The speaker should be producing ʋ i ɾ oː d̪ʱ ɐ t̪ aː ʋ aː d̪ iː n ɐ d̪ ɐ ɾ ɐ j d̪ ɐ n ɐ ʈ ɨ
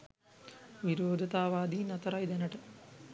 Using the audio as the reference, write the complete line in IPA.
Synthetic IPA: ʋ i ɾ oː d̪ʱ ɐ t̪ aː ʋ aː d̪ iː n ɐ t̪ ɐ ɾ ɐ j d̪ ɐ n ɐ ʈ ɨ